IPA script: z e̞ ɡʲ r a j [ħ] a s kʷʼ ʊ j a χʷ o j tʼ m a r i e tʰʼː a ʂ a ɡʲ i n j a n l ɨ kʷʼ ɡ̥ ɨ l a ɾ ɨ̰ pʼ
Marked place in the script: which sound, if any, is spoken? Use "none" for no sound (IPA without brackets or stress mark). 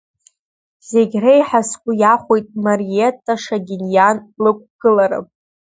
ħ